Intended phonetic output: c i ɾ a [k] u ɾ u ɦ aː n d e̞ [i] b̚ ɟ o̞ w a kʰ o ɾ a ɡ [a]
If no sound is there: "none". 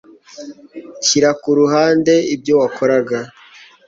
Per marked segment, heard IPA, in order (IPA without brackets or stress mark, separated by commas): k, i, a